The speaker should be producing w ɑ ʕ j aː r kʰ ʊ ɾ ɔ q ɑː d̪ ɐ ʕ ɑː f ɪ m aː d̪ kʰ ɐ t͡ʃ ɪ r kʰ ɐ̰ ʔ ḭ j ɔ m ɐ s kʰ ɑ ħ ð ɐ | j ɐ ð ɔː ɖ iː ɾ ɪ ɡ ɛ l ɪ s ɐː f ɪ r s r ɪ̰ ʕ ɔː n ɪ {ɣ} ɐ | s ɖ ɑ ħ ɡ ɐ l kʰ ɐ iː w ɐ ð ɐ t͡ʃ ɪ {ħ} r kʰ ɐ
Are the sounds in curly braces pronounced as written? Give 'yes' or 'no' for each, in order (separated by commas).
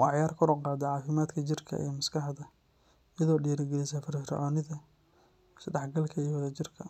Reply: no, no